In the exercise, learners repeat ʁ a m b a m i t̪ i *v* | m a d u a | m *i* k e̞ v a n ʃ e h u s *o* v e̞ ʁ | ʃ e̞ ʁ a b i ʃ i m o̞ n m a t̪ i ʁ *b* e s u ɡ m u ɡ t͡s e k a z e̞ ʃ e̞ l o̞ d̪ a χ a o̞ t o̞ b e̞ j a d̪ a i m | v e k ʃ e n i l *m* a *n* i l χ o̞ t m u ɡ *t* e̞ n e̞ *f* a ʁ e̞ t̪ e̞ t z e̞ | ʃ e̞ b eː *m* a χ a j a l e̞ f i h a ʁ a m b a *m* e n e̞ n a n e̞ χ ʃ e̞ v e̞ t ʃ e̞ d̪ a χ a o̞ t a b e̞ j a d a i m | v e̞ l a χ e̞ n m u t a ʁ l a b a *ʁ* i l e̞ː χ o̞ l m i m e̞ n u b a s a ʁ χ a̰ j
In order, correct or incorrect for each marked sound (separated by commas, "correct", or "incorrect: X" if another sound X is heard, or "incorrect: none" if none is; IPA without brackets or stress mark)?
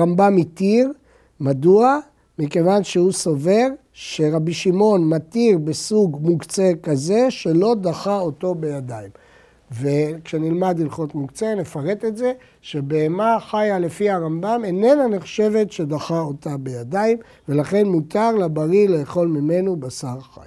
incorrect: ʁ, correct, correct, correct, correct, incorrect: d, incorrect: t͡s, correct, correct, correct, correct